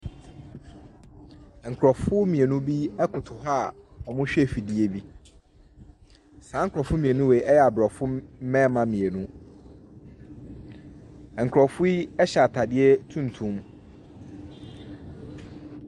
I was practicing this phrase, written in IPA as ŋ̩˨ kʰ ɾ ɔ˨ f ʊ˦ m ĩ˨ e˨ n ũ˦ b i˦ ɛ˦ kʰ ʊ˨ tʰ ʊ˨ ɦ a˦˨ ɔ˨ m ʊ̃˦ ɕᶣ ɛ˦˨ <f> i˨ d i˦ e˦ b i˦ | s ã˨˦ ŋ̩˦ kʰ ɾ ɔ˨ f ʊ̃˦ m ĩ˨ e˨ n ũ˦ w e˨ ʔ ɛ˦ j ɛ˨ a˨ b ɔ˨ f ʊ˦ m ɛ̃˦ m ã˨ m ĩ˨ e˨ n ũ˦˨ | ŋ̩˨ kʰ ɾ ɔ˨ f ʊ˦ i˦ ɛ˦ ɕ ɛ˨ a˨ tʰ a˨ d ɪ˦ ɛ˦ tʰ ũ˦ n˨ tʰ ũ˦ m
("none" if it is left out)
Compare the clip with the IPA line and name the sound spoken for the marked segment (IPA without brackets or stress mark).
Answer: f